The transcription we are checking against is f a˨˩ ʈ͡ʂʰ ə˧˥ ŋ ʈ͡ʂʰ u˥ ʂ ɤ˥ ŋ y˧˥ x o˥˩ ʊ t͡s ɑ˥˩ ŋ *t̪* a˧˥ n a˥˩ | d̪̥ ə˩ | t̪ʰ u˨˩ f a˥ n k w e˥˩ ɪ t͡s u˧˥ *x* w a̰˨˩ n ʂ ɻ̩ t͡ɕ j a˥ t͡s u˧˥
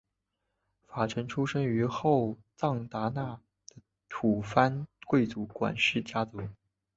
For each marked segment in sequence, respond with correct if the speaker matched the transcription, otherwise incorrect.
correct, incorrect

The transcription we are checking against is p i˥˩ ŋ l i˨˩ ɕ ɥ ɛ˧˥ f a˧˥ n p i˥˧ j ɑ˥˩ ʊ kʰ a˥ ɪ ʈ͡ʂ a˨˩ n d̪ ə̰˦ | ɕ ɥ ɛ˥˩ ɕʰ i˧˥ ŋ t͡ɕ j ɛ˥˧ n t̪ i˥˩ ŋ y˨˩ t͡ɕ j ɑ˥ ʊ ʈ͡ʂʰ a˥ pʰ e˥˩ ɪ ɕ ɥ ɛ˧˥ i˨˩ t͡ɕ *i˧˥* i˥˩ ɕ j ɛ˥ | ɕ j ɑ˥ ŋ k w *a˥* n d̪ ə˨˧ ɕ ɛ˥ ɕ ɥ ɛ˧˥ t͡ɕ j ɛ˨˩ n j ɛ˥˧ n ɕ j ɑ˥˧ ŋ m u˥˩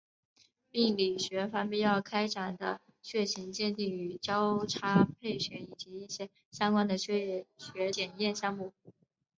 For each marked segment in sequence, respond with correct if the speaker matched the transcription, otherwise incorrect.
correct, correct

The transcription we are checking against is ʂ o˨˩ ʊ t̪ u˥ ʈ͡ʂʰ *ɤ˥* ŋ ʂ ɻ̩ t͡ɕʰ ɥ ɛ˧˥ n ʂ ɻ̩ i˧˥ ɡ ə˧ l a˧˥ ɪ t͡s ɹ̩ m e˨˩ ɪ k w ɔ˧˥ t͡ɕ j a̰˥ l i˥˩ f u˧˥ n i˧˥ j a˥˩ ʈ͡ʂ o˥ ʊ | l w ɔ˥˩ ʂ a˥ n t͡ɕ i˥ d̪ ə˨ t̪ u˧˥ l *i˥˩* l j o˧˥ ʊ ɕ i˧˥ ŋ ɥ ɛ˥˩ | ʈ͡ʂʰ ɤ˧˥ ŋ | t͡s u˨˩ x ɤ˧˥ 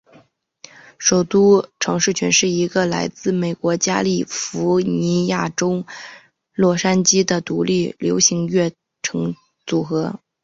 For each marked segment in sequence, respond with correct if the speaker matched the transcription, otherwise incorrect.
incorrect, correct

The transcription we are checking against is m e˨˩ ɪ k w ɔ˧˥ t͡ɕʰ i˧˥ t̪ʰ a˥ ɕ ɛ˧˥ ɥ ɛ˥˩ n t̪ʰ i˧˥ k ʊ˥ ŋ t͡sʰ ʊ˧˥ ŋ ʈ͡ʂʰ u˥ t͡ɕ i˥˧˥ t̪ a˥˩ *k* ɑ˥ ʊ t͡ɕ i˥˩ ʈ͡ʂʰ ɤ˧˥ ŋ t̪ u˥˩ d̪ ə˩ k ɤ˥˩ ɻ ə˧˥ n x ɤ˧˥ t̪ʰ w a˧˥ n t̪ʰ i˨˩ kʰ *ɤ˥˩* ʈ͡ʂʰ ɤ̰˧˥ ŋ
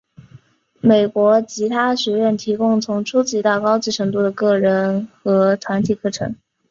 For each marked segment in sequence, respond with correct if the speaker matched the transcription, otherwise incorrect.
correct, correct

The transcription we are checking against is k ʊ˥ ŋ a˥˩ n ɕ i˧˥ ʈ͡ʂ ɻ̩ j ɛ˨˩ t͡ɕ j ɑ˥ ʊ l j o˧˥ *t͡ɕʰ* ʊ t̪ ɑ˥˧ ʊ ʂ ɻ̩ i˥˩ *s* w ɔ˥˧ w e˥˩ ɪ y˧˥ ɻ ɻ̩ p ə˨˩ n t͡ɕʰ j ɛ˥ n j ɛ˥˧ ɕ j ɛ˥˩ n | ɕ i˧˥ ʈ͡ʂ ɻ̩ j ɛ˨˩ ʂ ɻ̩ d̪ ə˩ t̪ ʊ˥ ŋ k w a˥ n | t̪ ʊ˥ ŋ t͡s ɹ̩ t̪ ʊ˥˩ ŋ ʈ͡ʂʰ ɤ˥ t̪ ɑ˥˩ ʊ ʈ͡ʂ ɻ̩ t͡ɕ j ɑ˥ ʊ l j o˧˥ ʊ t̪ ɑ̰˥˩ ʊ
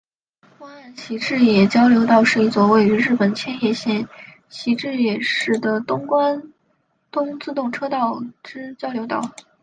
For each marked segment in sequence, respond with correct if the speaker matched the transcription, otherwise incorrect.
incorrect, incorrect

